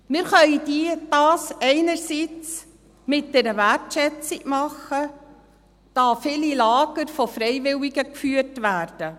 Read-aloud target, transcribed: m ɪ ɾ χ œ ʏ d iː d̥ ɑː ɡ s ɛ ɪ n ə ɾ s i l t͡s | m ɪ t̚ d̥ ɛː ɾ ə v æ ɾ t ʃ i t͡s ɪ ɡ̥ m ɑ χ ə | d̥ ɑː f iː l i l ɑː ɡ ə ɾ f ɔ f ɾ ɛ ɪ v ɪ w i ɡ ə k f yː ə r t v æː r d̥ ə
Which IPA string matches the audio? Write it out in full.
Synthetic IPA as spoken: m ɪ ɾ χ œ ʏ d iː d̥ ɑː s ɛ ɪ n ə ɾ s i t͡s | m ɪ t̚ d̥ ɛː ɾ ə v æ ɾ t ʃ ɛ t͡s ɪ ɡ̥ m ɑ χ ə | d̥ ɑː f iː l i l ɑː ɡ ə ɾ f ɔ f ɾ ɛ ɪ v ɪ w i ɡ ə k f yː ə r t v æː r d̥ ə